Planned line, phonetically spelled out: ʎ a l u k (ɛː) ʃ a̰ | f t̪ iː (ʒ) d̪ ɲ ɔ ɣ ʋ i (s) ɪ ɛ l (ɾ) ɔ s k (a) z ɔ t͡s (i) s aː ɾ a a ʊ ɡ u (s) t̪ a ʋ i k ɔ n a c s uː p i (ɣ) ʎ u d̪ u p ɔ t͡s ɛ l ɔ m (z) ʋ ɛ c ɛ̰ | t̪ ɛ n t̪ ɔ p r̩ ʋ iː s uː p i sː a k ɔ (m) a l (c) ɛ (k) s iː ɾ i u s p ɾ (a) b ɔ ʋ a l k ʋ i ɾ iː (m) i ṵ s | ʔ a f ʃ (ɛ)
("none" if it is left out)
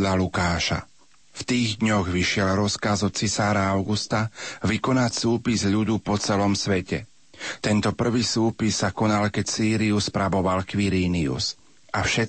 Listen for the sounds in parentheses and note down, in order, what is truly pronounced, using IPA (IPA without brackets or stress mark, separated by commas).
aː, ɣ, ʃ, ɾ, a, i, s, z, s, n, k, c, a, n, ɛ